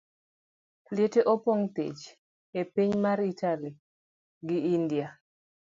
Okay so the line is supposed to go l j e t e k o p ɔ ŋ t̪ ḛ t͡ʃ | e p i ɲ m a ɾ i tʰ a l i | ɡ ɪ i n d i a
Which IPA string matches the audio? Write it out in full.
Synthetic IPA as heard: l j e t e ʔ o p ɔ ŋ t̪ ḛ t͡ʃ | e p i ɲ m a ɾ i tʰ a l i | ɡ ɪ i n d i a